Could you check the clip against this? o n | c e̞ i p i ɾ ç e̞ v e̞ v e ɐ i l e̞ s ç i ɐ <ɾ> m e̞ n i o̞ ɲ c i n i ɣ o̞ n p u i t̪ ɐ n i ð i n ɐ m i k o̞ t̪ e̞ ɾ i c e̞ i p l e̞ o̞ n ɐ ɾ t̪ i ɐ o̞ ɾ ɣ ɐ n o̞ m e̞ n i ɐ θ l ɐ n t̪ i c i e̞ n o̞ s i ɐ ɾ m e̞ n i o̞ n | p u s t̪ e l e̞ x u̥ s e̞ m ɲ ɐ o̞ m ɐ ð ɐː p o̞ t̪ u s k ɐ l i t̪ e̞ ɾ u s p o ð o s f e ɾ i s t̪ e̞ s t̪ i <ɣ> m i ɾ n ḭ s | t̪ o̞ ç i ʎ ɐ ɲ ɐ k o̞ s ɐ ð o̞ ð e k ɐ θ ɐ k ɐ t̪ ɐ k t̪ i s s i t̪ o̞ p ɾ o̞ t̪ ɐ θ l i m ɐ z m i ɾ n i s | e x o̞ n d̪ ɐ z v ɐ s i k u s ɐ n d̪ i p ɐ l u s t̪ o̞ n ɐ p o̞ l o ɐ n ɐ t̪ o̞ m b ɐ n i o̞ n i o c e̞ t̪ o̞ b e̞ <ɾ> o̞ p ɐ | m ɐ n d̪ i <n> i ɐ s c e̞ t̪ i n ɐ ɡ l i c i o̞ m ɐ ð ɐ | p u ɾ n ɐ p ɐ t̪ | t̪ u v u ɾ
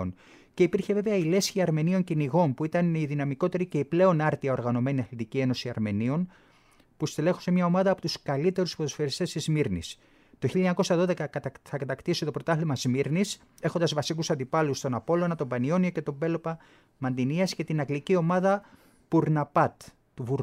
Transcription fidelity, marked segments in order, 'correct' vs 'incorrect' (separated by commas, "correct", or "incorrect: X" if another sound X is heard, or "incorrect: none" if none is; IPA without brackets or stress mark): correct, incorrect: z, incorrect: l, correct